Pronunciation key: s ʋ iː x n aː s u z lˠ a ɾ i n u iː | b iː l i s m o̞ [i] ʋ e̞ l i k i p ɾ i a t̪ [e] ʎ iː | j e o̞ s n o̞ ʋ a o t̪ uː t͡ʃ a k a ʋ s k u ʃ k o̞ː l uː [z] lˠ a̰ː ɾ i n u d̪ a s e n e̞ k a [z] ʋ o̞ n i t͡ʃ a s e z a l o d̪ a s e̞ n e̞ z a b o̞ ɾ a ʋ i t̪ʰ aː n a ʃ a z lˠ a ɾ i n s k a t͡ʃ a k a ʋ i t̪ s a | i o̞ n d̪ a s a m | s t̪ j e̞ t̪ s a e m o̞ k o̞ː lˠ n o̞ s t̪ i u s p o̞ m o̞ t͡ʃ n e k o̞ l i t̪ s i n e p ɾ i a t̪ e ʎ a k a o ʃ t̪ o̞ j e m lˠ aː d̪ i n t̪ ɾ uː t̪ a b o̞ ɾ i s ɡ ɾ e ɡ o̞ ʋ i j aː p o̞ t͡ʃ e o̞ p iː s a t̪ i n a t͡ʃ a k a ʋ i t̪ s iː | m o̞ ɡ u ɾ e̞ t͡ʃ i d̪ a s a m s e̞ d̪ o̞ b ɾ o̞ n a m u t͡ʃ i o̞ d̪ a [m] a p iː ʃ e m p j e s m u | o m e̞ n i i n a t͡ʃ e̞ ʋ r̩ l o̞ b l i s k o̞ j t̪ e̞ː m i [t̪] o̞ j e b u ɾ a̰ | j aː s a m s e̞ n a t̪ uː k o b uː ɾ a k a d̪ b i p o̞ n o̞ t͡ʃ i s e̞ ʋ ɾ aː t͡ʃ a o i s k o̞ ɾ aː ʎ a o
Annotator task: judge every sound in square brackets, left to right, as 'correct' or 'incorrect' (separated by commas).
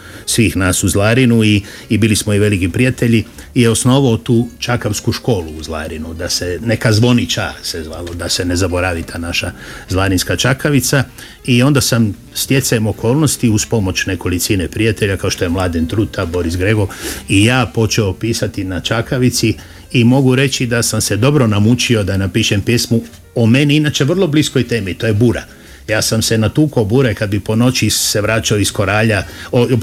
correct, correct, correct, correct, incorrect, correct